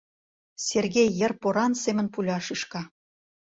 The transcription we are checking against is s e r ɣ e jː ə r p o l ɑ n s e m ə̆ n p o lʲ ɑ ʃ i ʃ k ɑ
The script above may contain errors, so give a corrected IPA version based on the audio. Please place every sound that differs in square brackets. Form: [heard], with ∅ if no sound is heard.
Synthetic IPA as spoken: s e r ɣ e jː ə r p o [ɾ] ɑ n s e m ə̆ n p [u] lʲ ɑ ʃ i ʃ k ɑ